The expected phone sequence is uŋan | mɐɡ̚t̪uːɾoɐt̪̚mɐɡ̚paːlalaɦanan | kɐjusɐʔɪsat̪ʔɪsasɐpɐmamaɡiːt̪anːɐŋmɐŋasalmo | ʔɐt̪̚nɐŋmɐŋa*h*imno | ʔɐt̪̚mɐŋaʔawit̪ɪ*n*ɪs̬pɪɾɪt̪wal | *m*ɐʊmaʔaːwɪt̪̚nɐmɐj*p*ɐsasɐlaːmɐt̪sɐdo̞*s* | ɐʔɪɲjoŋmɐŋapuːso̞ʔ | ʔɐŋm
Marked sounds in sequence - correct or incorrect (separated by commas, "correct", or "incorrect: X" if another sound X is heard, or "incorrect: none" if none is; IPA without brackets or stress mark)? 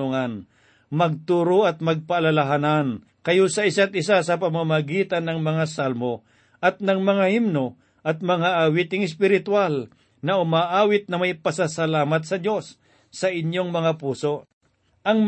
correct, incorrect: ŋ, incorrect: n, correct, incorrect: sː